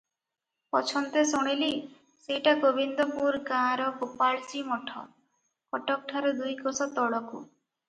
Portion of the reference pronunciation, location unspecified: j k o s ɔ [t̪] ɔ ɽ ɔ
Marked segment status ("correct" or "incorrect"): correct